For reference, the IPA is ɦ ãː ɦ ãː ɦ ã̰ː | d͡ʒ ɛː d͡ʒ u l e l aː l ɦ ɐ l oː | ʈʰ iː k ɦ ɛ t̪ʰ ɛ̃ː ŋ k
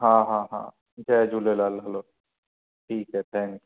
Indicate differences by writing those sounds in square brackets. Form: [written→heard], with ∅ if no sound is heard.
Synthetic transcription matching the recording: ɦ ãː ɦ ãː ɦ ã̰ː | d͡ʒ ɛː d͡ʒ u l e l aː l ɦ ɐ l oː | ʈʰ iː k ɦ ɛ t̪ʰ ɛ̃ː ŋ k